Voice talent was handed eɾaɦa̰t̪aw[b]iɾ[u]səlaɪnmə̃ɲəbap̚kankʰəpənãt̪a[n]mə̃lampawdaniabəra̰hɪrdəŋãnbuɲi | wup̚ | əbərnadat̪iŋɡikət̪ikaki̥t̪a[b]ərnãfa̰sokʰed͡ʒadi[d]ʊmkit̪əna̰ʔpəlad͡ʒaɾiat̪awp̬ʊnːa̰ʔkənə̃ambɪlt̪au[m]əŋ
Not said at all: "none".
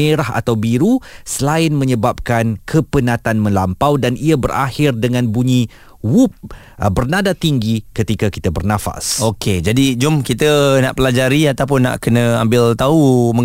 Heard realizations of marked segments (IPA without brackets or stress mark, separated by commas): b, u, n, b, d͡ʒ, m